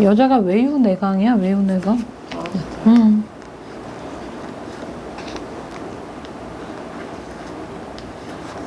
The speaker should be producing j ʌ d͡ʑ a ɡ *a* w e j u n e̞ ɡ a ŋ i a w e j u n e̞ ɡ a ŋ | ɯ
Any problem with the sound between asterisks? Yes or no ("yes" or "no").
no